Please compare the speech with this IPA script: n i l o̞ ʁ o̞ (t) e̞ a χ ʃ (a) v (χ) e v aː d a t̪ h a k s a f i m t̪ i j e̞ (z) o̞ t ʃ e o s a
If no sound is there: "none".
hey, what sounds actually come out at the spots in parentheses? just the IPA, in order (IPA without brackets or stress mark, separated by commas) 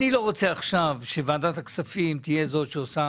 t͡s, a, ʃ, z